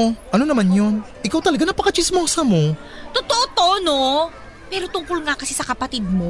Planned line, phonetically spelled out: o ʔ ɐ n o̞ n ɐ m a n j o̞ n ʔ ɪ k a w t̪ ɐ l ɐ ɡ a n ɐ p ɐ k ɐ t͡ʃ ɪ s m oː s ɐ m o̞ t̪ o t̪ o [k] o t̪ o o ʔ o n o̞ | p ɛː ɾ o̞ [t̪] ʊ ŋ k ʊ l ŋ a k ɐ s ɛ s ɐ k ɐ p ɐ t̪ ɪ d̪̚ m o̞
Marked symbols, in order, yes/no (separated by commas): no, yes